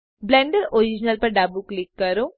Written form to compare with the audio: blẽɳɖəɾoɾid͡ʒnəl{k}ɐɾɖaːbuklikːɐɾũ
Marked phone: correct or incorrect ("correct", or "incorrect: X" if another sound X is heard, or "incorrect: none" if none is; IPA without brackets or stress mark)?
incorrect: p